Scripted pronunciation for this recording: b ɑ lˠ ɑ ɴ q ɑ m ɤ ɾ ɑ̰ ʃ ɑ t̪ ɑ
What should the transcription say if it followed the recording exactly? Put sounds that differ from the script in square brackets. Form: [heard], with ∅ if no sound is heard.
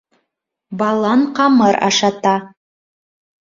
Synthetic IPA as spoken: b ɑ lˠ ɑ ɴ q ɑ m ɤ ɾ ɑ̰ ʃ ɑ t̪ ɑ